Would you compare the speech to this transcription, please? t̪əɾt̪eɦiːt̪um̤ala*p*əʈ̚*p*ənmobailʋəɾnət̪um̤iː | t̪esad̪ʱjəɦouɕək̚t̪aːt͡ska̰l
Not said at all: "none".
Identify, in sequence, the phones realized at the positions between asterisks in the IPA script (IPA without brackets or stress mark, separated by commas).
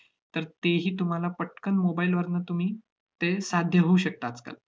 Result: p, k